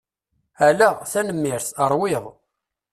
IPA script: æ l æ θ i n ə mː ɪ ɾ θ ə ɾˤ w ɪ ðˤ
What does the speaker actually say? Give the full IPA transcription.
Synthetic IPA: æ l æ θ æ n ə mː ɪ ɾ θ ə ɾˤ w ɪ ðˤ